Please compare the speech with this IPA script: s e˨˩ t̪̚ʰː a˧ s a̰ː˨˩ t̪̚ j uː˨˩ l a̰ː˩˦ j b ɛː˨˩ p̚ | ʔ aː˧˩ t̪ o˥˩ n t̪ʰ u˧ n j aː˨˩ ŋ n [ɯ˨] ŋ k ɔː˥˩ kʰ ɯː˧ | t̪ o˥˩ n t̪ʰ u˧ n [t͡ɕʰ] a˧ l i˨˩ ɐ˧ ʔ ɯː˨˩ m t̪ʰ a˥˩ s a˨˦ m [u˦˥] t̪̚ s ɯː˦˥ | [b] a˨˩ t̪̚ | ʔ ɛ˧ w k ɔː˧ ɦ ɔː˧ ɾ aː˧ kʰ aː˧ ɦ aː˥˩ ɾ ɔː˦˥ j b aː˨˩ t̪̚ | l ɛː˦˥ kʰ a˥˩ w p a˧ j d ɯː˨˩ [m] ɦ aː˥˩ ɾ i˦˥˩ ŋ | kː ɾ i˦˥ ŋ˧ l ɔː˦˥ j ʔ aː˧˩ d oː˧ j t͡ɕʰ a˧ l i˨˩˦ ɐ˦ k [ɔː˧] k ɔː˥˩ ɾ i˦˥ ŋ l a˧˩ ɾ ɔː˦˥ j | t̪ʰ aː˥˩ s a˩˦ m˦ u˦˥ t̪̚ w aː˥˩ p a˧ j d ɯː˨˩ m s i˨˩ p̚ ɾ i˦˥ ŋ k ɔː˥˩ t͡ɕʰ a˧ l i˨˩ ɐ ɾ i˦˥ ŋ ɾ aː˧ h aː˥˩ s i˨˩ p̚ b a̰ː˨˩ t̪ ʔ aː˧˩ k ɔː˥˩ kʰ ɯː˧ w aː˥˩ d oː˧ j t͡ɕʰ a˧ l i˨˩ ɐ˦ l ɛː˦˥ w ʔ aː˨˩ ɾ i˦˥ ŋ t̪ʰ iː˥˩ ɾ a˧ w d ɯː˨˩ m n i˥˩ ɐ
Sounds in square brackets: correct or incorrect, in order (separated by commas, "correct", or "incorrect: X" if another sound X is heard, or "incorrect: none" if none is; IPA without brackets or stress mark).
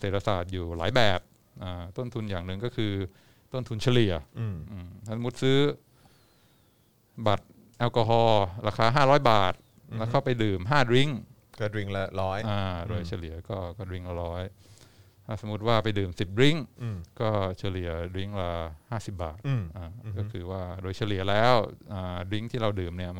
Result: correct, correct, correct, correct, correct, incorrect: ɔː˥˩